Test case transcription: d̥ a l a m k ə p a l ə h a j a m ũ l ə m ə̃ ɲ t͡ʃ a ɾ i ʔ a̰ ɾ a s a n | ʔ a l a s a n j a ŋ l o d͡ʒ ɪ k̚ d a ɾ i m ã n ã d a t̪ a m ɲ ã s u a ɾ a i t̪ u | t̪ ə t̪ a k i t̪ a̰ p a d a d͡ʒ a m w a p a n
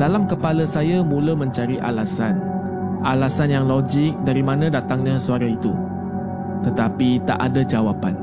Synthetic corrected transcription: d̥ a l a m k ə p a l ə s a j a m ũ l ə m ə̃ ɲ t͡ʃ a ɾ i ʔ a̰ l a s a n | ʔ a l a s a n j a ŋ l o d͡ʒ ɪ k̚ d a ɾ i m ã n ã d a t̪ a ŋ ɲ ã s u a ɾ a i t̪ u | t̪ ə t̪ a p i t̪ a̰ ʔ a d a d͡ʒ a w a p a n